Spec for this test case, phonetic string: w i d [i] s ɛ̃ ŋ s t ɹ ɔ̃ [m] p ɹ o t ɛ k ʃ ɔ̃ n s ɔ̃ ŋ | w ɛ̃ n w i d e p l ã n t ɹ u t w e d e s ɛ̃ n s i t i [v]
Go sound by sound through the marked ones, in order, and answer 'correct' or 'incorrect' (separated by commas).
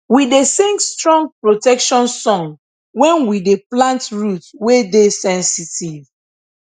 incorrect, incorrect, correct